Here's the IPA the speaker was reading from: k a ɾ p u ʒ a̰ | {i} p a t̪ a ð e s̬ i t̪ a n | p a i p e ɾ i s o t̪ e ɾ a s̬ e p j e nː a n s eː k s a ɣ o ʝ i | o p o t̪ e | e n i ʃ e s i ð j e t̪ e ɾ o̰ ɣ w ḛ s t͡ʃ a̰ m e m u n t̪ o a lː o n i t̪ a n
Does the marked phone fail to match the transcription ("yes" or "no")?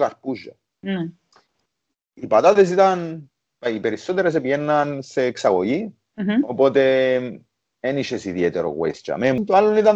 no